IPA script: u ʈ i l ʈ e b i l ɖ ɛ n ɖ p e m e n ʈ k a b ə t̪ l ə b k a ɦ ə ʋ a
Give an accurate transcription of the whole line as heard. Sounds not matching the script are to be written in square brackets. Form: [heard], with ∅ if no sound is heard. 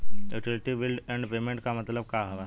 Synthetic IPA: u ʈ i l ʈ [i] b i l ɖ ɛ [ɳ] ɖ p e m e [ɳ] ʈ k a [m] ə t̪ l ə b k a ɦ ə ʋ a